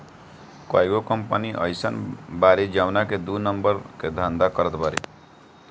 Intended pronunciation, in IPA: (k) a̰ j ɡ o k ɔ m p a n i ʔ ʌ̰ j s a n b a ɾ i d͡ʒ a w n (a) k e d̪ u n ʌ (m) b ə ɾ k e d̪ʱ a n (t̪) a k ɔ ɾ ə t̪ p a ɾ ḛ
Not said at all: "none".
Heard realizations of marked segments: k, a, m, d̪

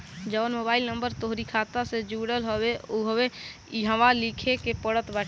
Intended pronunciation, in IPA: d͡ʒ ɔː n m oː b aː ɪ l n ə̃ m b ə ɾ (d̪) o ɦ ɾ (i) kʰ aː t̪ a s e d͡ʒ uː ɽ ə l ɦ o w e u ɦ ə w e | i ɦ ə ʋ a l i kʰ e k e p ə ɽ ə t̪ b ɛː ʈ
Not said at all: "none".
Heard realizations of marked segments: t̪, i

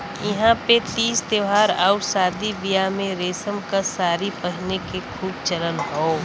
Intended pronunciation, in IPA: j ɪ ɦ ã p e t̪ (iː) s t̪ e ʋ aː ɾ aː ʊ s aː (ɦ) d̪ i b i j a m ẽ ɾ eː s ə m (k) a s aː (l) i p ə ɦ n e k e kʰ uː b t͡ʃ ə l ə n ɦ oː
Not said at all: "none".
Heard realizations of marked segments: iː, none, k, ɾ

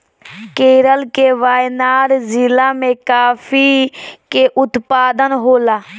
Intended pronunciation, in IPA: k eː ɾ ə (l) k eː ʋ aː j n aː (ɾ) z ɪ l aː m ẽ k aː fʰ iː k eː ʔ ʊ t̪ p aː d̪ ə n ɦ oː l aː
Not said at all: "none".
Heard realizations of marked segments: l, ɾ

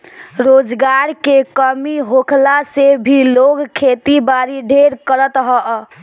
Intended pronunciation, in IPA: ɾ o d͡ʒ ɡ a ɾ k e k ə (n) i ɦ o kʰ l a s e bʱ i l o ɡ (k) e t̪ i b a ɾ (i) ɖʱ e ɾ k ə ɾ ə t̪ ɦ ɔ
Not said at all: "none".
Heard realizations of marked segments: m, kʰ, i

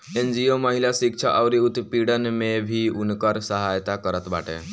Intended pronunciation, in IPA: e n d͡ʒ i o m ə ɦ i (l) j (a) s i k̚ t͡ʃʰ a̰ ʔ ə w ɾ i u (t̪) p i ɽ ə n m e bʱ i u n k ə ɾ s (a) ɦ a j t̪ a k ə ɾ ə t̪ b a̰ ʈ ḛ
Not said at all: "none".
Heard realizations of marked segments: l, a, t̪, ə

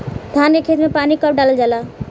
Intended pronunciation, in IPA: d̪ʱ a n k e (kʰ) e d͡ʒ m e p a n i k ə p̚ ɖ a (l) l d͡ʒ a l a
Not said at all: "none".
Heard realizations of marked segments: kʰ, l

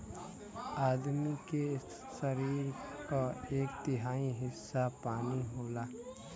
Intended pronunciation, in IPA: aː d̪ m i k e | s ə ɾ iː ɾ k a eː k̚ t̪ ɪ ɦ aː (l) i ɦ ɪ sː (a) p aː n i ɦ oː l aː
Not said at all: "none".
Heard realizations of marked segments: none, a

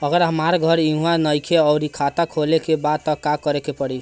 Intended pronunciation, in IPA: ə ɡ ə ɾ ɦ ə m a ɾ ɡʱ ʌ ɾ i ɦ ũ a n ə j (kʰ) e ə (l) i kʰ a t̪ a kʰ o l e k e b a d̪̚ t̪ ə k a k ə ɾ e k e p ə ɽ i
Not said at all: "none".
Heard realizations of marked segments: kʰ, ɾ

